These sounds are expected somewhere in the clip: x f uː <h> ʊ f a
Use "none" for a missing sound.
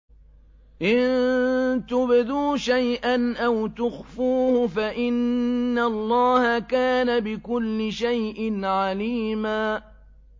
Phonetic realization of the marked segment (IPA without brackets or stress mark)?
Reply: h